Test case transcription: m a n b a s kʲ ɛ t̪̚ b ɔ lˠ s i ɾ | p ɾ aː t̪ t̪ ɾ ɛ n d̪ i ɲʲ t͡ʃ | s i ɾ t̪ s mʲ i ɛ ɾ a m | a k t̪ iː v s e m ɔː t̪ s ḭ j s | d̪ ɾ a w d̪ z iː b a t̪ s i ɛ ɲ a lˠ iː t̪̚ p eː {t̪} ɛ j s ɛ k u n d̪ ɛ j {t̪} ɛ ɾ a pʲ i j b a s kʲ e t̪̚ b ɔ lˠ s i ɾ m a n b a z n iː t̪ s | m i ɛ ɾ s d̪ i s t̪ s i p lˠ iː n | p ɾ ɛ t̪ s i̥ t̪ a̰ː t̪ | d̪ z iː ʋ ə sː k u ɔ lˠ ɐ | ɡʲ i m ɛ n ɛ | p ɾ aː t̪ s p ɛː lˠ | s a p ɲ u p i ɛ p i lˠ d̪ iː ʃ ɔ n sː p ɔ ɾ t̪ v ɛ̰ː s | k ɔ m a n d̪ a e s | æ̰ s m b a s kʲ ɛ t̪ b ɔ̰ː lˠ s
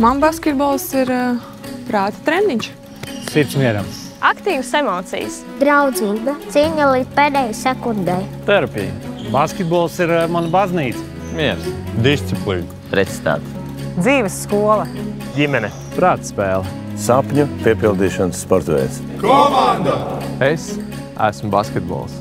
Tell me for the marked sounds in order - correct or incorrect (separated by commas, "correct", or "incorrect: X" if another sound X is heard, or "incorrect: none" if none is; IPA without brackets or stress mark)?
incorrect: d̪, correct